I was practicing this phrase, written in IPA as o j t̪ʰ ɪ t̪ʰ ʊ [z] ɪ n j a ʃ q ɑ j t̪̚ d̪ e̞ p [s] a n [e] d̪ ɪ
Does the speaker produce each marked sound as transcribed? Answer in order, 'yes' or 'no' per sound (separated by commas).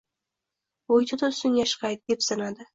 no, yes, no